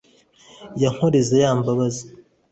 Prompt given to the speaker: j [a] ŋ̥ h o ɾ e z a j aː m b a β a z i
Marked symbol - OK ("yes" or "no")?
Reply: yes